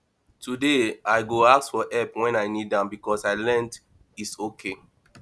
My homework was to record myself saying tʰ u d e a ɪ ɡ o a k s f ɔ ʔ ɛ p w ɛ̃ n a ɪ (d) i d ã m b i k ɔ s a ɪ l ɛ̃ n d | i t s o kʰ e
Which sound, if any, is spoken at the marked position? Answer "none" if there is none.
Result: n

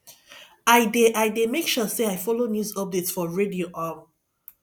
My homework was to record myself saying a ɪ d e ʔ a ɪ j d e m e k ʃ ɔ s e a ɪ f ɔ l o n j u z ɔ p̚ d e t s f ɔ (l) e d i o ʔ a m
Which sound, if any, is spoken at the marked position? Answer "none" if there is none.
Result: ɹ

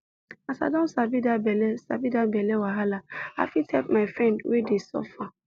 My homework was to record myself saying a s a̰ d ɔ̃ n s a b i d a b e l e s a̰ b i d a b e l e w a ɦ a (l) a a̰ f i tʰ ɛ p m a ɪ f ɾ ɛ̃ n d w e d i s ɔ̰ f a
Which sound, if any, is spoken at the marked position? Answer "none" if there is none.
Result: l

